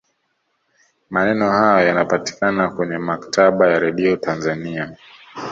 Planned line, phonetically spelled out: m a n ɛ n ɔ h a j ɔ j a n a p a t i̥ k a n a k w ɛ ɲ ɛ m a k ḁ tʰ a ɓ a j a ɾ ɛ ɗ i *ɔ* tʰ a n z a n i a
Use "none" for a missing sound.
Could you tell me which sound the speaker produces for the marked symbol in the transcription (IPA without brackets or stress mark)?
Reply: ɔ